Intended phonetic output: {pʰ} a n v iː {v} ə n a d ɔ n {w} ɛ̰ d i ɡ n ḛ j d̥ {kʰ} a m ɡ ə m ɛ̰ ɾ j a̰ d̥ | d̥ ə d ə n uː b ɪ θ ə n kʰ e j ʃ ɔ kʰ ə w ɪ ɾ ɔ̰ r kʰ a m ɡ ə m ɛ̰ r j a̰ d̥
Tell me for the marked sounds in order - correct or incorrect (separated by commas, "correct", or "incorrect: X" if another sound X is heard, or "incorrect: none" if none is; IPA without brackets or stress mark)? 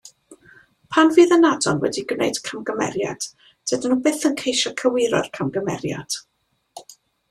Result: correct, incorrect: ð, correct, correct